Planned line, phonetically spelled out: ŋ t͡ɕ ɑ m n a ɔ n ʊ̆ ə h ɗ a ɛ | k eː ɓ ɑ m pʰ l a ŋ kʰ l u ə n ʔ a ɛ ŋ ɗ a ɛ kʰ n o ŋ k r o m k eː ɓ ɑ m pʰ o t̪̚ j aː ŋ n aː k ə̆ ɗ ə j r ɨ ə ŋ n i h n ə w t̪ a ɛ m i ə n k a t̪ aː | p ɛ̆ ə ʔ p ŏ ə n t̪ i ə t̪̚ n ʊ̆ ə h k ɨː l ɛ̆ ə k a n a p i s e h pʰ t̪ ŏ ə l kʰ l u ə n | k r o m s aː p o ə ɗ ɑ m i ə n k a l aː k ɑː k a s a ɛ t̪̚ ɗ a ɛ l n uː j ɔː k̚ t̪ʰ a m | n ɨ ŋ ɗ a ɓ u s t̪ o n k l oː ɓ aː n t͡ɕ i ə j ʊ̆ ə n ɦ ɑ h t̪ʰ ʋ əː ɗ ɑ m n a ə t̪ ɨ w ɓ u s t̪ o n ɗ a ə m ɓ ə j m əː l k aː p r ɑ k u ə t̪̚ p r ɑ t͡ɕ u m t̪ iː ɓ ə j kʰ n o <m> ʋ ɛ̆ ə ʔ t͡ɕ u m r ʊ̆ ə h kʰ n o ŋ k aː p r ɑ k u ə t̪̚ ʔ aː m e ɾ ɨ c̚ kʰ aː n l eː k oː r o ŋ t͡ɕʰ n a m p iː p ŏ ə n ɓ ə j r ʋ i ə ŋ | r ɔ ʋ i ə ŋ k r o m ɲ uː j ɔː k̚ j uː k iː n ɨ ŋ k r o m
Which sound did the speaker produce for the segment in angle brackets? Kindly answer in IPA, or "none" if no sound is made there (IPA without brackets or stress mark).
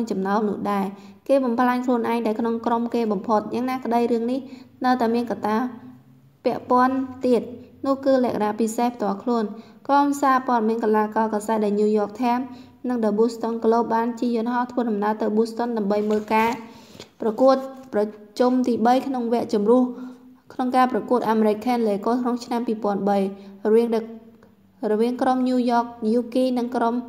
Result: ŋ